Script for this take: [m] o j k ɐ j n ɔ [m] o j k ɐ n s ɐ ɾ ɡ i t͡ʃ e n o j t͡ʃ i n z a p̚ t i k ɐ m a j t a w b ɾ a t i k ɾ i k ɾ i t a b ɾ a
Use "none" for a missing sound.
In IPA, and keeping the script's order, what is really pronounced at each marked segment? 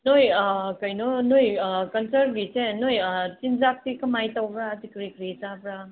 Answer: n, n

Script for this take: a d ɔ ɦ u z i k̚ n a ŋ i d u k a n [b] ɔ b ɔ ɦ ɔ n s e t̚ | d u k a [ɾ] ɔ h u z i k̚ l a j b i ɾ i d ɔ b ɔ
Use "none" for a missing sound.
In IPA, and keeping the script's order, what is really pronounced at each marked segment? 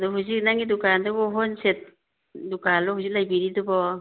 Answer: d, l

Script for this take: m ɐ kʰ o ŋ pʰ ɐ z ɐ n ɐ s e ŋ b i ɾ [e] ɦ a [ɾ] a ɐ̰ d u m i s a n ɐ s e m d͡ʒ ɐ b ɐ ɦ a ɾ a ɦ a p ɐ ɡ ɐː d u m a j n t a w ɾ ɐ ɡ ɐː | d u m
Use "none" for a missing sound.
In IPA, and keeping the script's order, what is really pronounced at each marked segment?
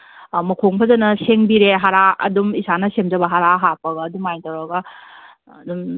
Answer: e, ɾ

